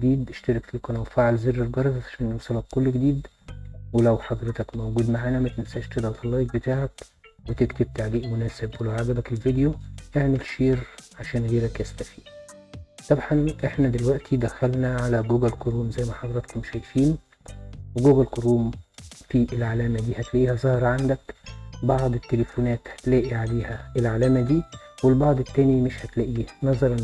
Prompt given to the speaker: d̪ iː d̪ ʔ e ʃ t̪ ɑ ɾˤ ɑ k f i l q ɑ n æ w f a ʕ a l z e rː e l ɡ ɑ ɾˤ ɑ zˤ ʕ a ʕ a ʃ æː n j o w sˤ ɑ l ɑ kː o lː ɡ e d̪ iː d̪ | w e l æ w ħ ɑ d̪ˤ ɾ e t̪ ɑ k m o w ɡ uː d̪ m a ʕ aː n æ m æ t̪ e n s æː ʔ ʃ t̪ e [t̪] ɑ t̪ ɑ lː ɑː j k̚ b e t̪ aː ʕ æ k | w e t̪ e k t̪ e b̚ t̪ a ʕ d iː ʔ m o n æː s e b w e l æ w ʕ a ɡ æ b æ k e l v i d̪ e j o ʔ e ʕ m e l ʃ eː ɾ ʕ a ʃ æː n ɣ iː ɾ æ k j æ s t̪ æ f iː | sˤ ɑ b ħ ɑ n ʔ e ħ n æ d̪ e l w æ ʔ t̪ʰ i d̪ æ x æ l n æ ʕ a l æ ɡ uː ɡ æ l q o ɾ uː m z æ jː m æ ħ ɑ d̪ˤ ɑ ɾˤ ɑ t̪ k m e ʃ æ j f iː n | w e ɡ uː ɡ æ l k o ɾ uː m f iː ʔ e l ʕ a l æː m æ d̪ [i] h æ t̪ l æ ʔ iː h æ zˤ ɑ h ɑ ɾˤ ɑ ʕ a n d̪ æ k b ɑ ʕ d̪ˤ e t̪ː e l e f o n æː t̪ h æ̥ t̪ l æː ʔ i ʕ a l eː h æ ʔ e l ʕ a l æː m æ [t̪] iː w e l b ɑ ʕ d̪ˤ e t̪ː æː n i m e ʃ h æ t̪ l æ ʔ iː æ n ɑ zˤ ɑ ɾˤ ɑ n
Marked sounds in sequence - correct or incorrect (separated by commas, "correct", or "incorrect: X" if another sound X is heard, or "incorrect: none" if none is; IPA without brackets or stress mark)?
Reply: incorrect: d̪, incorrect: iː, incorrect: d̪